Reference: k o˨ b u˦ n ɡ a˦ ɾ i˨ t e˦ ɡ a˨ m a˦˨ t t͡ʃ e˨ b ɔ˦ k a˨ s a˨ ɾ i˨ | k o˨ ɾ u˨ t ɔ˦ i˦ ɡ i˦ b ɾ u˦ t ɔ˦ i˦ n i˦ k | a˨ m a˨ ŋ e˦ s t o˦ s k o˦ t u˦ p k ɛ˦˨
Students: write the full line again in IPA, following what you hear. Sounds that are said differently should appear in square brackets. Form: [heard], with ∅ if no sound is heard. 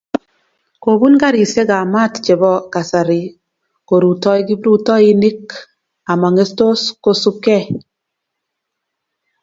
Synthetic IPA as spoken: k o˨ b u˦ n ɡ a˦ ɾ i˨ [s] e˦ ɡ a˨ m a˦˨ t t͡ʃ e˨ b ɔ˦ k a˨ s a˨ ɾ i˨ | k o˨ ɾ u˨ t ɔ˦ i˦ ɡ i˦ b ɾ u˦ t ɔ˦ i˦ n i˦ k | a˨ m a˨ ŋ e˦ s t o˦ s k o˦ [s] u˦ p k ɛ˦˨